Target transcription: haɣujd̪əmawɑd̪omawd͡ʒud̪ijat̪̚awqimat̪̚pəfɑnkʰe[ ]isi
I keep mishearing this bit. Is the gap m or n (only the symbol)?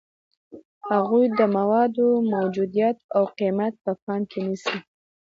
n